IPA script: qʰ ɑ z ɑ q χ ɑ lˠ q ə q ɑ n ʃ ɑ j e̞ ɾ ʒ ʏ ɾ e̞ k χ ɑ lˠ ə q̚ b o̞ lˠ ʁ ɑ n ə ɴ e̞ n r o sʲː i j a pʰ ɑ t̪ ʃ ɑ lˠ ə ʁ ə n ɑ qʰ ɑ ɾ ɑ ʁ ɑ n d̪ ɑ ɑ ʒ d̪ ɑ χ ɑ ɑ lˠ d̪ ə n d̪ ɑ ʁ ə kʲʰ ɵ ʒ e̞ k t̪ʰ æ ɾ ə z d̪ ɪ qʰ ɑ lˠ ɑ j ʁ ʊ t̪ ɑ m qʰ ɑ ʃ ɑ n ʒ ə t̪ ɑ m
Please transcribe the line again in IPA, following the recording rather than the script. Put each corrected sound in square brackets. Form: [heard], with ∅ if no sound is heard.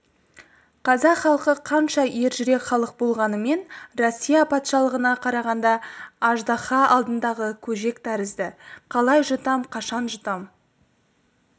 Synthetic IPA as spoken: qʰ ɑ z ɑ q χ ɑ lˠ q ə [qʰ] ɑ n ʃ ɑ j e̞ ɾ ʒ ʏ ɾ e̞ k χ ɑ lˠ ə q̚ b o̞ lˠ ʁ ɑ n ə [m] e̞ n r o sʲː i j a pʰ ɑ t̪ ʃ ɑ lˠ ə ʁ ə n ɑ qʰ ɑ ɾ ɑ ʁ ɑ n d̪ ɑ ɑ ʒ d̪ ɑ χ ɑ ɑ lˠ d̪ ə n d̪ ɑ ʁ ə kʲʰ ɵ ʒ e̞ k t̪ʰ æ ɾ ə z d̪ ɪ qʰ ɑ lˠ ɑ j [ʒ] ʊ t̪ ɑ m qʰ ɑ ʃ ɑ n ʒ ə t̪ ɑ m